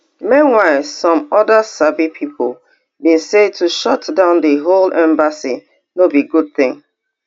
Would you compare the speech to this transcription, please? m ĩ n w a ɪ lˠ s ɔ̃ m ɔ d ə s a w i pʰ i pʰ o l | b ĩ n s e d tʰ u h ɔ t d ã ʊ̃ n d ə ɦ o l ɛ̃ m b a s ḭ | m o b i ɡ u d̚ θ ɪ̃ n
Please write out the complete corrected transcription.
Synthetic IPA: m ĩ n w a ɪ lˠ s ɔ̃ m ɔ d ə s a b i pʰ i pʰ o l | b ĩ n s e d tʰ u ʃ ɔ t d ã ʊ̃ n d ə ɦ o l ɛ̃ m b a s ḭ | n o b i ɡ u d̚ θ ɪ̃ ŋ